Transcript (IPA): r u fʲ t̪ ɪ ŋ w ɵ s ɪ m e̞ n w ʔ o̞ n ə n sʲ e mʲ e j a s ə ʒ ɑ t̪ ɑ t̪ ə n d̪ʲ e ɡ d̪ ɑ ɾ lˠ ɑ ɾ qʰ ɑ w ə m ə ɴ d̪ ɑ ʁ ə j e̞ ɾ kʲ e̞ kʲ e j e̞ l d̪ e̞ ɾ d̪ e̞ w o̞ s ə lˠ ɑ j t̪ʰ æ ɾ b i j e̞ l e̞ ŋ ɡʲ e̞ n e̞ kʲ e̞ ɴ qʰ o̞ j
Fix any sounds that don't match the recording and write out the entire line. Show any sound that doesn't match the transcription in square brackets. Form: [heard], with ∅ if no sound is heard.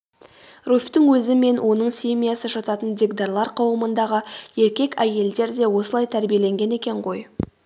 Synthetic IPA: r u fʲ t̪ ɪ ŋ w ɵ [z] ɪ m e̞ n w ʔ o̞ n ə [ɴ] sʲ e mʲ [i] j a s ə ʒ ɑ t̪ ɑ t̪ ə n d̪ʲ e ɡ d̪ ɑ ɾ lˠ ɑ ɾ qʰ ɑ w ə m ə [n] d̪ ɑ ʁ ə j e̞ ɾ kʲ e̞ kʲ [æ] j e̞ l d̪ e̞ ɾ d̪ e̞ w o̞ s ə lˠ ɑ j t̪ʰ æ ɾ b i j e̞ l e̞ ŋ ɡʲ e̞ n e̞ kʲ e̞ ɴ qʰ o̞ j